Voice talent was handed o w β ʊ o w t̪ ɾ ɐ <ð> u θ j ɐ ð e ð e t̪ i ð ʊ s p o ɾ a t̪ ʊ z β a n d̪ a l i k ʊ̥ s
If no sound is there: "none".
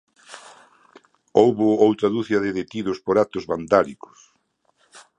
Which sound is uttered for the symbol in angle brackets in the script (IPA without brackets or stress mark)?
ð